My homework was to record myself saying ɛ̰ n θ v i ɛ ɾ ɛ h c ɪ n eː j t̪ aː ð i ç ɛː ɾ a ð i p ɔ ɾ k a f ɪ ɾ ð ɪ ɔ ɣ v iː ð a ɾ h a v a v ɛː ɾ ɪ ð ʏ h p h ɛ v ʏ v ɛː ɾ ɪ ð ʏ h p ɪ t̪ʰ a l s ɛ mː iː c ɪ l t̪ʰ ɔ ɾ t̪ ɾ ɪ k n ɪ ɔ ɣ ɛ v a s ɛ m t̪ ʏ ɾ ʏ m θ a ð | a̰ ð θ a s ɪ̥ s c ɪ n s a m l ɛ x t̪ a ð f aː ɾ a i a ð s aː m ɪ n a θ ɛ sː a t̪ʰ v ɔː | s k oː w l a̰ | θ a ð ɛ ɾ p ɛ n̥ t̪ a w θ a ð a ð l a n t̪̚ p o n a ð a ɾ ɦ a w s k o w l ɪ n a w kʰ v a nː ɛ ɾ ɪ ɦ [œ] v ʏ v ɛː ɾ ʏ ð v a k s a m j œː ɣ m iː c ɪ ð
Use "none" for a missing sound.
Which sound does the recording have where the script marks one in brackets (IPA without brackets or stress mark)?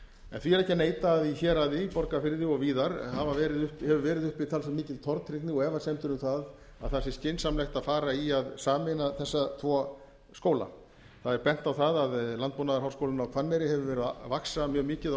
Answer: ɛ